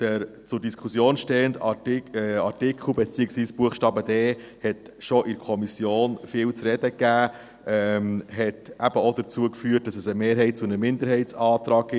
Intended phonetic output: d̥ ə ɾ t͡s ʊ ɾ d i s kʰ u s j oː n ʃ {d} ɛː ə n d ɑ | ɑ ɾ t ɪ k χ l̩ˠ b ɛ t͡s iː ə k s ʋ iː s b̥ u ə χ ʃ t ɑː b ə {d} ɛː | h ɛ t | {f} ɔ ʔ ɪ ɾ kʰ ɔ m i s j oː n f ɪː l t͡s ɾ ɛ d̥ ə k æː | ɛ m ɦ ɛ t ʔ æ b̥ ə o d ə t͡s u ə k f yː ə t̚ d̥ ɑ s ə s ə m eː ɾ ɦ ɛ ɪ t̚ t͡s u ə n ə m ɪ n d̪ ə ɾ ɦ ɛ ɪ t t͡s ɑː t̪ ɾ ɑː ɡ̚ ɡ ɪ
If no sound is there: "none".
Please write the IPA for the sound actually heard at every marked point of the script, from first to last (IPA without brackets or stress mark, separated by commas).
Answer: t, d, ʃ